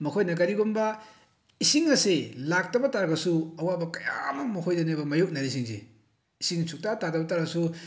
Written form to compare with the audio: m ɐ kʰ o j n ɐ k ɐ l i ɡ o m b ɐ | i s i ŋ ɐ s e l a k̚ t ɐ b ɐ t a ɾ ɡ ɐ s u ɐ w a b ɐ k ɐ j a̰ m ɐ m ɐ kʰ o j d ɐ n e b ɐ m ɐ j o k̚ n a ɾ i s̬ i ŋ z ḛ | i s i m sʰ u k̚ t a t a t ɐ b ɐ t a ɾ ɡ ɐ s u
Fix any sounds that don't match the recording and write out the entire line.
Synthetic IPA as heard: m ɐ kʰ o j n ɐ k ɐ ɾ i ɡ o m b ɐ | i s i ŋ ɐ s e l a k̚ t ɐ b ɐ t a ɾ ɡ ɐ s u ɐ w a b ɐ k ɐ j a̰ m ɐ m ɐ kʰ o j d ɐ n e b ɐ m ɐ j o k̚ n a ɾ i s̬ i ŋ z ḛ | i s i ŋ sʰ u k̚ t a t a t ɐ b ɐ t a ɾ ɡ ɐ s u